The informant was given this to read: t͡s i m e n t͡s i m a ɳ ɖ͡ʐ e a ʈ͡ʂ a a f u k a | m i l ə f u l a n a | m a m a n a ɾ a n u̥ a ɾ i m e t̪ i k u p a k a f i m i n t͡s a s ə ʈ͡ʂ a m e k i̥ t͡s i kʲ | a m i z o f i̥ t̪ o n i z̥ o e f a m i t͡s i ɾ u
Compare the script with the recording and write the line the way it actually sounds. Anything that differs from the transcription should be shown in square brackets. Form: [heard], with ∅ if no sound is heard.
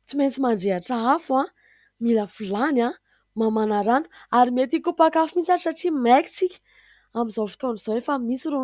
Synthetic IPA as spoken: t͡s i m e n t͡s i m a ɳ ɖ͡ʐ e a ʈ͡ʂ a a f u [∅] a | m i l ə f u l a n a | m a m a n a ɾ a n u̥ a ɾ i m e t̪ i k u p a k a f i m i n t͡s a s [a] ʈ͡ʂ [i] m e k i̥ t͡s i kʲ | a m i z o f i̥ t̪ o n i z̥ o e f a m i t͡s i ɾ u